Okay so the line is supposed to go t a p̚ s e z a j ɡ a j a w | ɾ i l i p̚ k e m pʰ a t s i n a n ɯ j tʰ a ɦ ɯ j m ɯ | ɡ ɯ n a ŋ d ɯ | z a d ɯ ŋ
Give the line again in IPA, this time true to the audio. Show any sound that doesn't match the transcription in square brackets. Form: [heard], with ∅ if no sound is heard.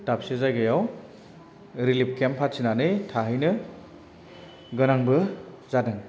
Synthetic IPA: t a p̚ s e z a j ɡ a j a w | ɾ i l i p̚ k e m pʰ a t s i n a n ɯ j tʰ a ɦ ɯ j [n] ɯ | ɡ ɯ n a ŋ [b] ɯ | z a d ɯ ŋ